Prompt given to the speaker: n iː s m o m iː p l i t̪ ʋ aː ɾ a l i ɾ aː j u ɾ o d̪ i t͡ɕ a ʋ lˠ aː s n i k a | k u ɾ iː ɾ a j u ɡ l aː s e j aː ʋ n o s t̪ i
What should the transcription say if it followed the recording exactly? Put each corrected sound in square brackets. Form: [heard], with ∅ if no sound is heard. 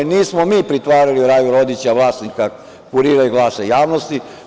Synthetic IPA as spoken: n iː s m o m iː p [ɾ] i t̪ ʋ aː ɾ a l i ɾ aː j u ɾ o d̪ i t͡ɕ a ʋ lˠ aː s n i k a | k u ɾ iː ɾ a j u ɡ l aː s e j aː ʋ n o s t̪ i